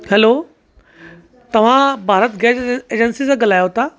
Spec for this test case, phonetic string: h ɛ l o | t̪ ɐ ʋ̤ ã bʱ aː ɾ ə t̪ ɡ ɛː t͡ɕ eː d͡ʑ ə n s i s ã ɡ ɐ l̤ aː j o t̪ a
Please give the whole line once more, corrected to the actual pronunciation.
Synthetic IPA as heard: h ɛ l o | t̪ ɐ ʋ̤ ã bʱ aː ɾ ə t̪ ɡ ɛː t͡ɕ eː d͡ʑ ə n s i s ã ɡ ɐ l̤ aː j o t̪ a